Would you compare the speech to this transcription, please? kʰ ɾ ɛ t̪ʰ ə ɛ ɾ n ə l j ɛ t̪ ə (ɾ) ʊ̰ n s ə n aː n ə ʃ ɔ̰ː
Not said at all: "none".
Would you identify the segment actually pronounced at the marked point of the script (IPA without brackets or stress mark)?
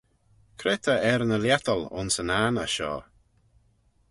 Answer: l